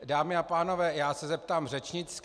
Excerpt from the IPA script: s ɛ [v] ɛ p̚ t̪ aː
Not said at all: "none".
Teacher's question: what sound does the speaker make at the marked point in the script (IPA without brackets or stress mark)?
z